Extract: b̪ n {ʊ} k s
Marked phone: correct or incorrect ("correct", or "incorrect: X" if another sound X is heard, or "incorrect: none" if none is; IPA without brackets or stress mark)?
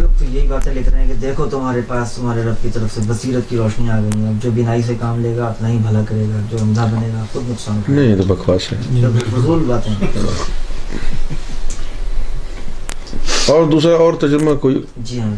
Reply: correct